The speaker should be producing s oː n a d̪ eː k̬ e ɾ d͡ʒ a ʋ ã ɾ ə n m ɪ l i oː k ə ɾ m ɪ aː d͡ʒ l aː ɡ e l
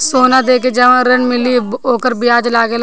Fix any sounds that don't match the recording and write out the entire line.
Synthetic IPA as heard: s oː n a d̪ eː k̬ e d͡ʒ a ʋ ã ɾ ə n m ɪ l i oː k ə ɾ b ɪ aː d͡ʒ l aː ɡ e l